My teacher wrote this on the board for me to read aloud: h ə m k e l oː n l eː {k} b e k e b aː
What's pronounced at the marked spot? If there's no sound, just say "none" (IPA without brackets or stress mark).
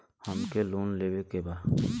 none